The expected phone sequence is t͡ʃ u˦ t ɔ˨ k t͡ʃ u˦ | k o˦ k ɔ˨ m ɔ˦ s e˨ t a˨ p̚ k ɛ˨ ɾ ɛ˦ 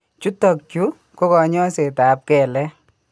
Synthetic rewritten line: t͡ʃ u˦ t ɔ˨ k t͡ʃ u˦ | k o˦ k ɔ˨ ɲ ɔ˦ s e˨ t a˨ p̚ k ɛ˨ l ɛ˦